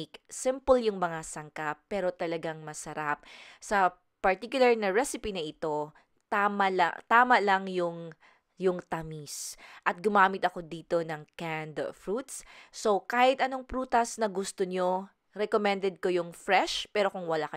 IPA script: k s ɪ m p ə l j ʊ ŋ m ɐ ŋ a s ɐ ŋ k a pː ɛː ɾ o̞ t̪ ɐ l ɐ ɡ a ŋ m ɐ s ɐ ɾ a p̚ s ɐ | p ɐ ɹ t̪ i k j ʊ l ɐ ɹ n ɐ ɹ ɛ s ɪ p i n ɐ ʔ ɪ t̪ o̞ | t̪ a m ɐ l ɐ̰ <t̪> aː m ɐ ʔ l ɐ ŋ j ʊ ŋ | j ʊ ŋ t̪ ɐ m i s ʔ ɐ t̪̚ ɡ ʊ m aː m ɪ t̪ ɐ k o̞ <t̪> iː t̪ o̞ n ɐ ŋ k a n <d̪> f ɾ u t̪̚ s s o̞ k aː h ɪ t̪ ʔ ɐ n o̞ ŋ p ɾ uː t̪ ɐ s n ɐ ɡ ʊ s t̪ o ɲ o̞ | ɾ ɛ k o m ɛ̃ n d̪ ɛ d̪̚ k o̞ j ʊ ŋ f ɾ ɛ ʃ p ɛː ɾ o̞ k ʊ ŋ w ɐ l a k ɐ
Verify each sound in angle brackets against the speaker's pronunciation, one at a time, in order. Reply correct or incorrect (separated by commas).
correct, incorrect, correct